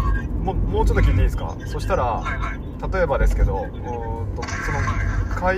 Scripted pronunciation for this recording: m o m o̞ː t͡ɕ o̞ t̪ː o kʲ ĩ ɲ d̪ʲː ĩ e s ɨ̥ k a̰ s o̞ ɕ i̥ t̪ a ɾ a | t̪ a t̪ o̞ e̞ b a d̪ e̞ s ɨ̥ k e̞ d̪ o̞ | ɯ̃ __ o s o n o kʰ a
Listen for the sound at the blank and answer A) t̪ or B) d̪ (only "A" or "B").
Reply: A